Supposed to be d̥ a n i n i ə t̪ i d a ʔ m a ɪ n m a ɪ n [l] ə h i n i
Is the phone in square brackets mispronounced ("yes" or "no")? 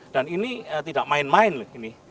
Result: no